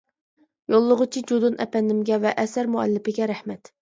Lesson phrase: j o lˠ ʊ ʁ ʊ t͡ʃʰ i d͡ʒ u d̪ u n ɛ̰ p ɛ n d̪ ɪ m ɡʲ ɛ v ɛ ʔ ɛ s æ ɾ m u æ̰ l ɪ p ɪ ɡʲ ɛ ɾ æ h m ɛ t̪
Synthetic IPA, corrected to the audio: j o lˠː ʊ ʁ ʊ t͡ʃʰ i d͡ʒ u d̪ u n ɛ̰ p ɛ n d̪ ɪ m ɡʲ ɛ v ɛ ʔ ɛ s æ ɾ m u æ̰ lː ɪ p ɪ ɡʲ ɛ ɾ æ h m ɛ t̪